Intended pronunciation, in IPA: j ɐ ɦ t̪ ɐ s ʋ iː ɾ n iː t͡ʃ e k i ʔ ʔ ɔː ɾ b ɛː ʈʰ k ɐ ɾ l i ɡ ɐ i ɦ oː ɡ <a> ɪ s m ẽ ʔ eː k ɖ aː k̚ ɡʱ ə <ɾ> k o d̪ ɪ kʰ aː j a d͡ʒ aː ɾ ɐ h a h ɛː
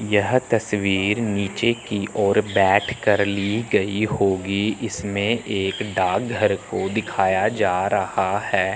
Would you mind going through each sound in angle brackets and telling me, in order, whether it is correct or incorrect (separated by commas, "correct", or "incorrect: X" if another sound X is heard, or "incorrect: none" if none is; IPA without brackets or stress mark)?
incorrect: i, correct